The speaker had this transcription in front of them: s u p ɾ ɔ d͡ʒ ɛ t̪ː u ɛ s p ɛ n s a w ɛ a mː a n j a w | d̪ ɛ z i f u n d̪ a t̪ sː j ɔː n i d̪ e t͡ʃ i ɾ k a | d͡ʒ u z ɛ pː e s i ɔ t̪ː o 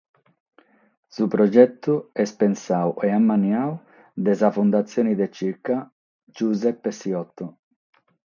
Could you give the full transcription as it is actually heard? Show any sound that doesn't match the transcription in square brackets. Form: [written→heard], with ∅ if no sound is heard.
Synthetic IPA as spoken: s u p ɾ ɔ d͡ʒ ɛ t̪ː u ɛ s p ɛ n s a w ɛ a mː a n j a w | d̪ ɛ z [i→a] f u n d̪ a t̪ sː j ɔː n i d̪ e t͡ʃ i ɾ k a | d͡ʒ u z ɛ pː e s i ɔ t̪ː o